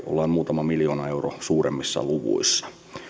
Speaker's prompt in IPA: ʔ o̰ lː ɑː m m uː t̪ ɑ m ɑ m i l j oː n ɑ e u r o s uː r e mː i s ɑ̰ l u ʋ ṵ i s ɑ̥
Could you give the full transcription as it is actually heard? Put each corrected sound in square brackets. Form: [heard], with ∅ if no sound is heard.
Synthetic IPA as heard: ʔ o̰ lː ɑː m m uː t̪ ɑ m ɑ m i l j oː n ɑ e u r o s uː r e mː i [sː] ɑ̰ l u ʋ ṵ i [sː] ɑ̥